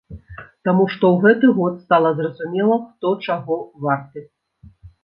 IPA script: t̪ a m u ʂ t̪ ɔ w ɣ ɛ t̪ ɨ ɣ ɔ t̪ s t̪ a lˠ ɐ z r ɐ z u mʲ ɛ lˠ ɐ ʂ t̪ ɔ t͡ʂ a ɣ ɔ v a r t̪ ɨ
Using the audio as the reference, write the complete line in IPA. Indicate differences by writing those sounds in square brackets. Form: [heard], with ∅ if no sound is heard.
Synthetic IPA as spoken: t̪ a m u ʂ t̪ ɔ w ɣ ɛ t̪ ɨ ɣ ɔ t̪ s t̪ a lˠ ɐ z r ɐ z u mʲ ɛ lˠ ɐ [x] t̪ ɔ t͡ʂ a ɣ ɔ v a r t̪ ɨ

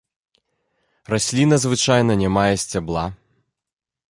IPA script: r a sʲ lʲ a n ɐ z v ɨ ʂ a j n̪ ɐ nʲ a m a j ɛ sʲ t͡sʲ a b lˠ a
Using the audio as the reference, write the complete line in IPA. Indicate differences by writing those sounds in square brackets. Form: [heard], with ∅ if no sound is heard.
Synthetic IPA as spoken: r a sʲ lʲ [i] n ɐ z v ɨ [t͡ʂ] a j n̪ ɐ nʲ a m a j ɛ sʲ t͡sʲ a b lˠ a

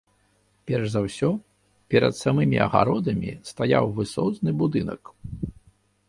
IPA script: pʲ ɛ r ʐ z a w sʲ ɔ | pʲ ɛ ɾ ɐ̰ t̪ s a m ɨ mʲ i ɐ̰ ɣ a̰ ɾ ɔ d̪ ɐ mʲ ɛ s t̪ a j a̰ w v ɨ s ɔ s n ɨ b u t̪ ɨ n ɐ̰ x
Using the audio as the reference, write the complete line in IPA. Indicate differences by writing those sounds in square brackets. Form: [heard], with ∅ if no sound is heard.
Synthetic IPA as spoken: pʲ ɛ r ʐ z a w sʲ ɔ | pʲ ɛ ɾ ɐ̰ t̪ s a m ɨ mʲ i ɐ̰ ɣ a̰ ɾ ɔ d̪ ɐ mʲ [i] s t̪ a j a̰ w v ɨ s ɔ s n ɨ b u [d̪] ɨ n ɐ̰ [k]

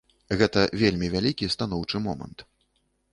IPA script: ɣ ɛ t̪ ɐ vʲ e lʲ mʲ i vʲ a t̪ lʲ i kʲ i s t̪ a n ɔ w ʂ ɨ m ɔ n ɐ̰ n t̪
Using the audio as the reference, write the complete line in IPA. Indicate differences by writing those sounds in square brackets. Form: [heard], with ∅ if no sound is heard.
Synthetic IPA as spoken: ɣ ɛ t̪ ɐ vʲ e lʲ mʲ i vʲ a [∅] lʲ i kʲ i s t̪ a n ɔ w [t͡ʂ] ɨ m ɔ [m] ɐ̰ n t̪

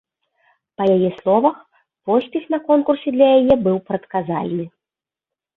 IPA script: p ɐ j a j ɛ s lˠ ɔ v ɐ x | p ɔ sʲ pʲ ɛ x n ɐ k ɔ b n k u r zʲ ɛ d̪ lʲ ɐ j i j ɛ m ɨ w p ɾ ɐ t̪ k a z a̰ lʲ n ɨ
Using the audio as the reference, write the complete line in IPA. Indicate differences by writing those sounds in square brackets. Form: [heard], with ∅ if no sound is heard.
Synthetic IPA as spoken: p ɐ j a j ɛ s lˠ ɔ v ɐ x | p ɔ sʲ pʲ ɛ x n ɐ k ɔ [∅] n k u r [sʲ] ɛ d̪ lʲ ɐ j [a] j ɛ [b] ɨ w p ɾ ɐ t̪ k a z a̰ lʲ n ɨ

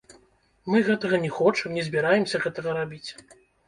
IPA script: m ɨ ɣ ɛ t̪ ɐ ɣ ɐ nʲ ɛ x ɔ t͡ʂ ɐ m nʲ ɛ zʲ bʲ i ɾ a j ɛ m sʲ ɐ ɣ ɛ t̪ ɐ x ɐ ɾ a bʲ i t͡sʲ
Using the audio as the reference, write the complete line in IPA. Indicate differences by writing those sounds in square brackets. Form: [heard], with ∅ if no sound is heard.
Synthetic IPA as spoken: m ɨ ɣ ɛ t̪ ɐ ɣ ɐ nʲ ɛ x ɔ t͡ʂ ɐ m nʲ ɛ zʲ bʲ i ɾ a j ɛ m sʲ ɐ ɣ ɛ t̪ ɐ [ɣ] ɐ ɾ a bʲ i t͡sʲ

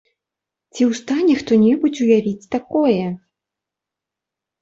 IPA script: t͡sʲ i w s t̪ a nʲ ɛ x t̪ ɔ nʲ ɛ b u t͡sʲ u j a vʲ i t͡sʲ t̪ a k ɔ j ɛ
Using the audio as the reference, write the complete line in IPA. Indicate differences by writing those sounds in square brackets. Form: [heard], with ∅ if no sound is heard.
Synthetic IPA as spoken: t͡sʲ i w s t̪ a nʲ ɛ x t̪ ɔ nʲ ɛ b u t͡sʲ u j a vʲ i t͡sʲ t̪ a k ɔ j ɛ

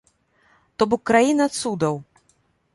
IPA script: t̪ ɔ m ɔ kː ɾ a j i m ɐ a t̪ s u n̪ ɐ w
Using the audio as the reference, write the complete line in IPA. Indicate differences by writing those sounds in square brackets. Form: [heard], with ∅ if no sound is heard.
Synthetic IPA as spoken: t̪ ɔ [b] ɔ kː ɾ a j i [n] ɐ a t̪ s u [d̪] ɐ w

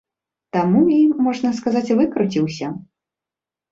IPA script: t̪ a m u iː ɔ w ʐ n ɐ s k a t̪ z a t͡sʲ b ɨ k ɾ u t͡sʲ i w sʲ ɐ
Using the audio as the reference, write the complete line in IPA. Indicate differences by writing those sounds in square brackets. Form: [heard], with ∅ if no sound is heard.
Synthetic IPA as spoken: t̪ a m u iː ɔ [∅] ʐ n ɐ s k a [∅] z a t͡sʲ [v] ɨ k ɾ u t͡sʲ i w sʲ ɐ

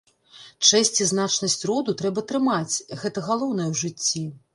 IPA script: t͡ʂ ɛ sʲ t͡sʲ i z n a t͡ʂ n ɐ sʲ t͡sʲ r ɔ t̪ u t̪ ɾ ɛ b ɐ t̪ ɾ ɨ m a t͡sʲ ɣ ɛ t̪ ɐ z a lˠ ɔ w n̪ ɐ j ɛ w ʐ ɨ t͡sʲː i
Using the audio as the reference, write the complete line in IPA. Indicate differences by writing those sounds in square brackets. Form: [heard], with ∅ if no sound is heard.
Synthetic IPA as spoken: t͡ʂ ɛ sʲ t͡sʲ i z n a t͡ʂ n ɐ sʲ t͡sʲ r ɔ [d̪] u t̪ ɾ ɛ b ɐ t̪ ɾ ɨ m a t͡sʲ ɣ ɛ t̪ ɐ [ɣ] a lˠ ɔ w n̪ ɐ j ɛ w ʐ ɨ t͡sʲː i

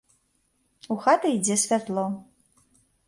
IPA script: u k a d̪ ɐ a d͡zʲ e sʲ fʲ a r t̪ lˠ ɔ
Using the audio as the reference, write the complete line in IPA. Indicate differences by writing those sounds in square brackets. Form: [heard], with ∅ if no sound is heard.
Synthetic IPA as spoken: u [x] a [t̪] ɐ [i] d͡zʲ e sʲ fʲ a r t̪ lˠ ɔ

